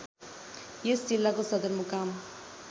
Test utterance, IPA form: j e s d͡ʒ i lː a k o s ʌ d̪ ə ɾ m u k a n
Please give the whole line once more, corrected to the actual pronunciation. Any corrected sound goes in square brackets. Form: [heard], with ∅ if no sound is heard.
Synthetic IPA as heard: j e s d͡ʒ i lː a k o s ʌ d̪ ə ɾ m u k a [m]